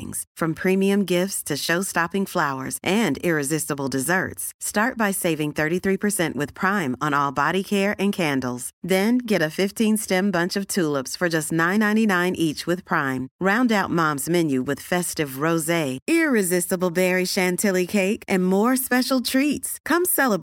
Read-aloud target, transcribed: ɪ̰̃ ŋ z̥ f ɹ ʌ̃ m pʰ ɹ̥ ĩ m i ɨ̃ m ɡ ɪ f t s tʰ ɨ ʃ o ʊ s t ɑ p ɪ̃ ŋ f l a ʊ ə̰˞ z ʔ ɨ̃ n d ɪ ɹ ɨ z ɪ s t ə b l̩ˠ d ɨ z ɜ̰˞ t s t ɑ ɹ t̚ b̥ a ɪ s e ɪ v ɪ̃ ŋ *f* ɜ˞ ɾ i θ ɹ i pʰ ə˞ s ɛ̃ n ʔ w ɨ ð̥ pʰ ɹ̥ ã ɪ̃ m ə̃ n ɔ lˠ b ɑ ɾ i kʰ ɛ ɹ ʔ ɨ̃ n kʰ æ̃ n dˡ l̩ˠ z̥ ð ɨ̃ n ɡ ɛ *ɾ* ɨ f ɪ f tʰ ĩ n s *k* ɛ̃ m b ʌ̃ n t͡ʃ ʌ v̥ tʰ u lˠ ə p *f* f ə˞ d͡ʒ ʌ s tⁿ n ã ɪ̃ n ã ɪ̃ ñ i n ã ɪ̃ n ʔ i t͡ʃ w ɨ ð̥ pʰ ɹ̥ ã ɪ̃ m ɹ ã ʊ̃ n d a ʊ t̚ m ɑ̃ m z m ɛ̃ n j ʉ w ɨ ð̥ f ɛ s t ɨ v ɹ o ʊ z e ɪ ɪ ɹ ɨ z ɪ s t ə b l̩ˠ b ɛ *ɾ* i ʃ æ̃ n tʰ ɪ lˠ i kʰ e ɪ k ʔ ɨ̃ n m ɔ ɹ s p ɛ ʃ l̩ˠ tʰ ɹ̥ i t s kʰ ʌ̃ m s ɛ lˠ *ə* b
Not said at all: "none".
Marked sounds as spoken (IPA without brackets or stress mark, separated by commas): θ, ɾ, t, s, ɹ, ə